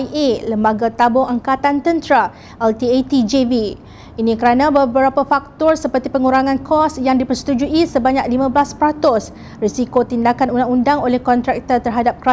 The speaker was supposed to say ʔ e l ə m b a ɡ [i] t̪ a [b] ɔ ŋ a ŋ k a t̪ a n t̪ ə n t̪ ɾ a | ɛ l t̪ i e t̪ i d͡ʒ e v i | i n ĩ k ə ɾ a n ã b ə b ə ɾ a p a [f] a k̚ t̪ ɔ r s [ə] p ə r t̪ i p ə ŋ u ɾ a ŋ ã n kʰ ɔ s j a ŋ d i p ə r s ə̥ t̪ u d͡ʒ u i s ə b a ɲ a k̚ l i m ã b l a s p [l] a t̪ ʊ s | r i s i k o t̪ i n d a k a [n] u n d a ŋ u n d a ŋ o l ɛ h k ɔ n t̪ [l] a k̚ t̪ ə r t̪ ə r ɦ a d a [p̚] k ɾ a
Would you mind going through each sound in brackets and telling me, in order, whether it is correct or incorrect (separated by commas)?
incorrect, correct, correct, correct, incorrect, correct, incorrect, correct